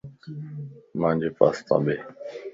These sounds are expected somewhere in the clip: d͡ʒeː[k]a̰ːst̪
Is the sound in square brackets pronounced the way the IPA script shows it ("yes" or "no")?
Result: no